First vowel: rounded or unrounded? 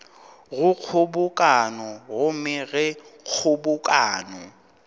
rounded